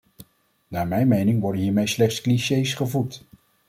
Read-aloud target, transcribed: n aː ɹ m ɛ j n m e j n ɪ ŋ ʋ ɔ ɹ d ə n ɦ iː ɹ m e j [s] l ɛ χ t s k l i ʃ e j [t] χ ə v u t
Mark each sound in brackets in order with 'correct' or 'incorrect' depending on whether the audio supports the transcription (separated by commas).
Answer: correct, incorrect